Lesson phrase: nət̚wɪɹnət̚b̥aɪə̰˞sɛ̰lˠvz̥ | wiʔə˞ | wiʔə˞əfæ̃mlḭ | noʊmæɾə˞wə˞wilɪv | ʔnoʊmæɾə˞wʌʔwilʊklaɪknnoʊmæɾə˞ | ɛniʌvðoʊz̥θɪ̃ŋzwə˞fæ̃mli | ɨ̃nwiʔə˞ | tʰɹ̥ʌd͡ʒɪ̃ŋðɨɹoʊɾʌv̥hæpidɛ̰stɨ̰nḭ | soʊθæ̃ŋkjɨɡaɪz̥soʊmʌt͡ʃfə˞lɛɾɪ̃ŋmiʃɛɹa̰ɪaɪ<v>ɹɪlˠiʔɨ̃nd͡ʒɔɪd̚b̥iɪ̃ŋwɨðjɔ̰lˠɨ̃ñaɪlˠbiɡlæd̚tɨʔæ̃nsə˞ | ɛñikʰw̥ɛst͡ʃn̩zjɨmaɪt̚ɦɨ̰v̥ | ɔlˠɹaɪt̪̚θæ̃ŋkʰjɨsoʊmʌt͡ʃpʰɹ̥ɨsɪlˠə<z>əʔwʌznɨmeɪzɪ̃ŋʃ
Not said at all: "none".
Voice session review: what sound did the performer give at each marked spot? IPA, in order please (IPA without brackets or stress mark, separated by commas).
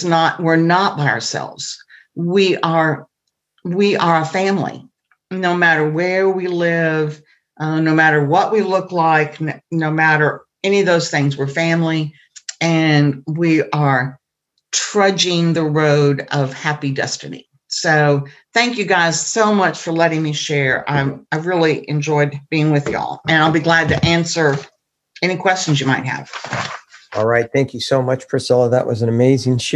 v, ð